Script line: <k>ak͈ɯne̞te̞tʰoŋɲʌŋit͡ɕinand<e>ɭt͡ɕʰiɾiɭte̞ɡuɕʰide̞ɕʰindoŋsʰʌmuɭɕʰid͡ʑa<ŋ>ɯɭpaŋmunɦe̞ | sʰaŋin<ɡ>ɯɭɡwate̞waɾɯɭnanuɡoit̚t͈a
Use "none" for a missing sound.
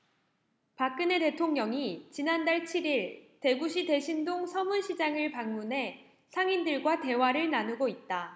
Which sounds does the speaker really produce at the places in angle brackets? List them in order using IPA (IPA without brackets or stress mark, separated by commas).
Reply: p, a, ŋ, d